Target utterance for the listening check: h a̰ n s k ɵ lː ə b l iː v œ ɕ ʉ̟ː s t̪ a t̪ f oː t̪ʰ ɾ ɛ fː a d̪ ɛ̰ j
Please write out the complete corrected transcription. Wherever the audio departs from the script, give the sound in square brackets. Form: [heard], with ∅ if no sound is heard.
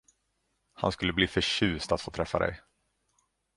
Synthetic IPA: h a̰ n s k ɵ lː ə b l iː [f] œ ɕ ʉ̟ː s t̪ a t̪ f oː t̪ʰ ɾ ɛ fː a d̪ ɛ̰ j